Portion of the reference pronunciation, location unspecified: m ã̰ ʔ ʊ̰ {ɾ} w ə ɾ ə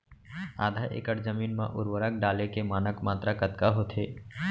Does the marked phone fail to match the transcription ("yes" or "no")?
no